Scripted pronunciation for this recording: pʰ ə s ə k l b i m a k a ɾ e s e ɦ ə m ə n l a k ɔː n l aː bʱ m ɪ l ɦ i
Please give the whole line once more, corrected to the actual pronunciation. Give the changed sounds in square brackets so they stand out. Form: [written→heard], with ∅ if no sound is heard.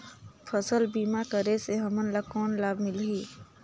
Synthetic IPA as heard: pʰ ə s ə [k→∅] l b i m a k [a→ə] ɾ e s e ɦ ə m ə n l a k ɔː n l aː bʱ m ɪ l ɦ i